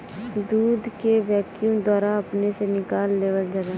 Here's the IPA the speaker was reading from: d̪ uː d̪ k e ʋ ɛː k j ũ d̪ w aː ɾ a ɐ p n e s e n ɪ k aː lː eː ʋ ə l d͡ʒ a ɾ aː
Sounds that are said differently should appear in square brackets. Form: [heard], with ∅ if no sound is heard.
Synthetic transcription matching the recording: d̪ uː d̪ k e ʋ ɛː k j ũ d̪ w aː ɾ a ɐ p n e s e n ɪ k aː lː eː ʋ ə l d͡ʒ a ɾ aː